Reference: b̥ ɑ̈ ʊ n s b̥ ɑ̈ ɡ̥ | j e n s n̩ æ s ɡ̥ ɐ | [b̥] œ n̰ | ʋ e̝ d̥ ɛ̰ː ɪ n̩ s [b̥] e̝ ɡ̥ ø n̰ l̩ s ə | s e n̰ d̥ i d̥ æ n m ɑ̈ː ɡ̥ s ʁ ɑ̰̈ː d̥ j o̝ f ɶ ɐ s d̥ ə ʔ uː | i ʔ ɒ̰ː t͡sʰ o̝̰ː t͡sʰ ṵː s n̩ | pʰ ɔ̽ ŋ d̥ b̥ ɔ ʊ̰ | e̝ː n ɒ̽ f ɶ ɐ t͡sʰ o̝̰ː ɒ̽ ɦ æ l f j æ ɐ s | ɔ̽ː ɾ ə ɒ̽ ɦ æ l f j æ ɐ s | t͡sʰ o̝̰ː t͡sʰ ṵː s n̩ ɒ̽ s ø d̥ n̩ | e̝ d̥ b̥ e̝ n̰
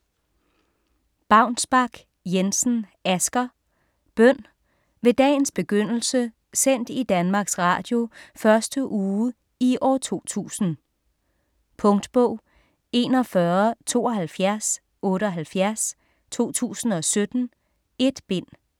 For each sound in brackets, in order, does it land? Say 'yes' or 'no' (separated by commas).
yes, yes